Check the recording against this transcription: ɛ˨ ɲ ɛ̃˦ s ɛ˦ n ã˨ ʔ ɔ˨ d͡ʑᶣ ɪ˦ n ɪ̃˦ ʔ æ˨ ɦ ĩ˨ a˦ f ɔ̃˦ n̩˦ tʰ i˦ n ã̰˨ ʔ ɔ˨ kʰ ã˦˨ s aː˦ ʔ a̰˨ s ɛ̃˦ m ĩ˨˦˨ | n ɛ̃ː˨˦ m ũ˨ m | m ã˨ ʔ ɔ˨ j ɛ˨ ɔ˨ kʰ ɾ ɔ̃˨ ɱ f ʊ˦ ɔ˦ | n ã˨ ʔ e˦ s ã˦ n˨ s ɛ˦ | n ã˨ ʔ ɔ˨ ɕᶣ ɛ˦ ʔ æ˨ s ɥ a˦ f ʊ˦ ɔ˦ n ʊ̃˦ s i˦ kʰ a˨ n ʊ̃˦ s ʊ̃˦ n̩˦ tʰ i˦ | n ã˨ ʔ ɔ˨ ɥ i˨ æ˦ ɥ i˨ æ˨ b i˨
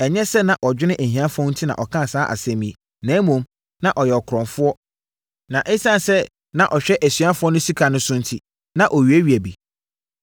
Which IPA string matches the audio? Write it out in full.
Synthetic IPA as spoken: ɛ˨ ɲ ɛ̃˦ s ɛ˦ n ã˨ ʔ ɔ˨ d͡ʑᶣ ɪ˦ n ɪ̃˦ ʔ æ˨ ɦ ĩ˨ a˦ f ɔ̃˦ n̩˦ tʰ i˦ n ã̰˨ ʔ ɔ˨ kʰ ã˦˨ s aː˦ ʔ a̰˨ s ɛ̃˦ m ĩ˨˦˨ | n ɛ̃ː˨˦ m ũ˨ m | n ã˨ ʔ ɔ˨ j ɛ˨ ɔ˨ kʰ ɾ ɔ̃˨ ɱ f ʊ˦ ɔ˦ | n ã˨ ʔ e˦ s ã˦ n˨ s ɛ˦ | n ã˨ ʔ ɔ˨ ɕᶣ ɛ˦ ʔ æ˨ s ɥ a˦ f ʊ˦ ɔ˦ n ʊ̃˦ s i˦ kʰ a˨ n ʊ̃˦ s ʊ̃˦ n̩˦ tʰ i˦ | n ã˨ ʔ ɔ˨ ɥ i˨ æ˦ ɥ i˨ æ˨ b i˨

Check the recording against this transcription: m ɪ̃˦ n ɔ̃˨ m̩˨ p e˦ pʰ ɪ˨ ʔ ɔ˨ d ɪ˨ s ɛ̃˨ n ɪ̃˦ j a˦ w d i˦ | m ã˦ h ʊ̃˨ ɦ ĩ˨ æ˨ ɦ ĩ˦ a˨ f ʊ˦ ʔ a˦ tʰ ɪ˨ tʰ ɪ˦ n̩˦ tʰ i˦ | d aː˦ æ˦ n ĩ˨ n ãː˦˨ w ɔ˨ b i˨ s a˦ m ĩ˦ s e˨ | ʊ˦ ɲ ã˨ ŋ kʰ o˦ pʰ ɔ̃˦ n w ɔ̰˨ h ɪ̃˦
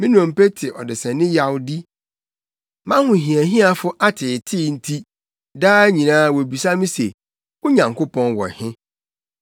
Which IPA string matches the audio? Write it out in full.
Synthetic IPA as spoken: m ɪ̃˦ n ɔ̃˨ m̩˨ p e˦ tʰ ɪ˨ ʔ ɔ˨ d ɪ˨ s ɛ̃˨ n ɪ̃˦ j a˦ w d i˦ | m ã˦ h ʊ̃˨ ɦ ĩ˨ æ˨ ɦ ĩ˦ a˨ f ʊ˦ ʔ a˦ tʰ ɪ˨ tʰ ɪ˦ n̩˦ tʰ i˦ | d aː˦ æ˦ ɲ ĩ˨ n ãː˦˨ w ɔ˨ b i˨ s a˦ m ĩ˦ s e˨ | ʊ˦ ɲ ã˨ ŋ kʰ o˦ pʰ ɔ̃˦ n w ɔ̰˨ h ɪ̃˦

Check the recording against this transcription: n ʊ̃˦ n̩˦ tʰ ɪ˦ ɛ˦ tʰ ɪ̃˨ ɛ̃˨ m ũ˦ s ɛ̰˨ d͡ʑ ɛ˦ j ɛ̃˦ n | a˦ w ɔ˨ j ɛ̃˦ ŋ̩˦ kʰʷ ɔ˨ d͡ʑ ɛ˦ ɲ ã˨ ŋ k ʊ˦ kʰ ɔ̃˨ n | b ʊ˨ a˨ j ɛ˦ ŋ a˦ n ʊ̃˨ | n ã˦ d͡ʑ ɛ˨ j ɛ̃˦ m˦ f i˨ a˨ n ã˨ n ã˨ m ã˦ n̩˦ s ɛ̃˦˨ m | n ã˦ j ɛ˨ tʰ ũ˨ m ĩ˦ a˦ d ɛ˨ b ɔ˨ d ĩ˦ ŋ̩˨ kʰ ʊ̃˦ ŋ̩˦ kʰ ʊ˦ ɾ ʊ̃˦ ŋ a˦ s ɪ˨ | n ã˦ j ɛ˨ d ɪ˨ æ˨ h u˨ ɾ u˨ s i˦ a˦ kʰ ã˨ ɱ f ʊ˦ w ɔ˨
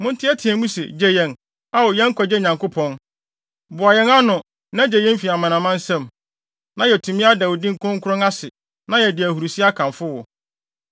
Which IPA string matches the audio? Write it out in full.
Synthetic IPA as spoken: m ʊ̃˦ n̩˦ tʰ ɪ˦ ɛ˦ tʰ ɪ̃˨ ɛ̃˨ m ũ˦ s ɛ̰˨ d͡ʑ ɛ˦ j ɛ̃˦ n | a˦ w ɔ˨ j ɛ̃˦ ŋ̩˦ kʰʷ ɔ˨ d͡ʑ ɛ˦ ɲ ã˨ ŋ k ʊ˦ pʰ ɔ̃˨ n | b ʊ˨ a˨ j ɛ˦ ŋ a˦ n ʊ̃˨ | n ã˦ d͡ʑ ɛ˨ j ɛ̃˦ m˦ f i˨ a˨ m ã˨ n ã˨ m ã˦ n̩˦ s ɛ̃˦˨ m | n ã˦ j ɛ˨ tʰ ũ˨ m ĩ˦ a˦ d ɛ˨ w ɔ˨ d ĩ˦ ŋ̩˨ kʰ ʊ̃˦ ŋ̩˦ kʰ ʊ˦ ɾ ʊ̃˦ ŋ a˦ s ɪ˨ | n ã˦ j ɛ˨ d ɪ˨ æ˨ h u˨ ɾ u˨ s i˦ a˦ kʰ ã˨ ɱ f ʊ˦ w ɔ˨

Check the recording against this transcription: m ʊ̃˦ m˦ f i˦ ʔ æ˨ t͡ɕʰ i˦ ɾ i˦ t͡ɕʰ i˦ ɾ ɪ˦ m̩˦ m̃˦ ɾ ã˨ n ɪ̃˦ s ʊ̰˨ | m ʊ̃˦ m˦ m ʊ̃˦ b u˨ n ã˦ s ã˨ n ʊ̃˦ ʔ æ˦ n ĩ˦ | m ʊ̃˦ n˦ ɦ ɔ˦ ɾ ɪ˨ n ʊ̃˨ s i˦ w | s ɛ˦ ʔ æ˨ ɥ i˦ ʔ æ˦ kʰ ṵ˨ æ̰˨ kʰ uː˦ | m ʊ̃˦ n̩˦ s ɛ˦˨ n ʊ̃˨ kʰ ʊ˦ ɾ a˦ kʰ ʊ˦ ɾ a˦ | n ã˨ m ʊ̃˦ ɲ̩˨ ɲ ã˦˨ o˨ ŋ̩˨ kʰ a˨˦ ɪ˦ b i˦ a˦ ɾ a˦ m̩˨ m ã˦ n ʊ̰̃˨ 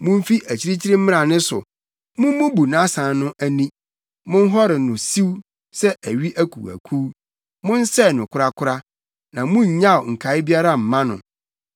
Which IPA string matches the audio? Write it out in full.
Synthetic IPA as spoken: m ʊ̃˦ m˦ f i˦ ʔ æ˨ t͡ɕʰ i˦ ɾ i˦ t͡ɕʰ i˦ ɾ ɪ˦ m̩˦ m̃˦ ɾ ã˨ n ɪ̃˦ s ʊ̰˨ | m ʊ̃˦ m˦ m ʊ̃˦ b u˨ n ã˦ s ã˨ n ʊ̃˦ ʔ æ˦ n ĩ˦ | m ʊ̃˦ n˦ ɦ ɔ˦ ɾ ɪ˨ n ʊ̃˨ s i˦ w | s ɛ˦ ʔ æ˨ ɥ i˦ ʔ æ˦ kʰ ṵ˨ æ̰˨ kʰ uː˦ | m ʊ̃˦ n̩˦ s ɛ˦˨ n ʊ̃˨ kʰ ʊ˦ ɾ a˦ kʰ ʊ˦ ɾ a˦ | n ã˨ m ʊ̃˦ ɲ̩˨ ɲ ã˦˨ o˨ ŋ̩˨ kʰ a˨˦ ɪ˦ b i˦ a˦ ɾ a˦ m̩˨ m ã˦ n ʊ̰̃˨

